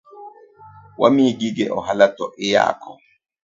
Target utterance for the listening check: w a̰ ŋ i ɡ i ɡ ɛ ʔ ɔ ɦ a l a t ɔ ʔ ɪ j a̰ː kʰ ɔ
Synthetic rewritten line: w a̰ m i ɡ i ɡ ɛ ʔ ɔ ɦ a l a t ɔ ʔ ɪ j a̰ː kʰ ɔ